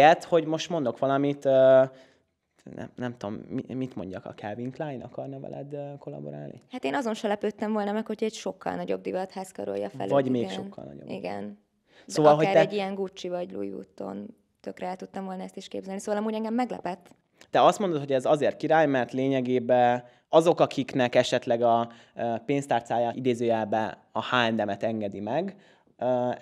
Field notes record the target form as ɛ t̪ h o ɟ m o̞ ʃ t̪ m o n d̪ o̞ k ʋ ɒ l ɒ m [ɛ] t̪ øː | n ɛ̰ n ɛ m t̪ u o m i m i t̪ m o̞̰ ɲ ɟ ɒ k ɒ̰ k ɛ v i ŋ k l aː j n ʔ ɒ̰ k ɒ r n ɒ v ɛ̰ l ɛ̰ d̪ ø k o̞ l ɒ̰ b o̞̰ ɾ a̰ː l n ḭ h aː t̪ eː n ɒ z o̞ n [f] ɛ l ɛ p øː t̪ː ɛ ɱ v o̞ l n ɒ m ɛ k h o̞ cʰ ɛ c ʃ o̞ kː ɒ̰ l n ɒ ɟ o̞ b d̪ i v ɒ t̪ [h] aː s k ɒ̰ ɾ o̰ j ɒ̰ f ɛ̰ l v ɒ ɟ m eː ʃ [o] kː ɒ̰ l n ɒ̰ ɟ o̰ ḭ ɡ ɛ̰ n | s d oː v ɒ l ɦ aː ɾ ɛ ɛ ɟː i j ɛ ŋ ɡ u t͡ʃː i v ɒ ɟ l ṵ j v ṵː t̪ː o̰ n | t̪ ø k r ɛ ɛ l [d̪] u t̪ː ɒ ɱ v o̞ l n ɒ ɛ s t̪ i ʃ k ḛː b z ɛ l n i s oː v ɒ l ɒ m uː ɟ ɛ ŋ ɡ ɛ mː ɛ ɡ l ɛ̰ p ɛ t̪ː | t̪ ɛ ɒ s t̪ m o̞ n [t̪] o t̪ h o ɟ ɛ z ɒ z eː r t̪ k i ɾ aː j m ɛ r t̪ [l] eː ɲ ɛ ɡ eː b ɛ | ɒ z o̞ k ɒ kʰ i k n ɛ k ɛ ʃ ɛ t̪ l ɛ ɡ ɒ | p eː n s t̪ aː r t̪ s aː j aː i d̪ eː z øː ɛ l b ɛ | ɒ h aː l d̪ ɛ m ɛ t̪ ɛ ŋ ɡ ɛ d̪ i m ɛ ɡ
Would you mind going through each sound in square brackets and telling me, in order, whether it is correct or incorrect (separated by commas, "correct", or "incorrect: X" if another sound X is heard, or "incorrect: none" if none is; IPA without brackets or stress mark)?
incorrect: i, incorrect: ʃ, correct, correct, incorrect: t̪, incorrect: d̪, correct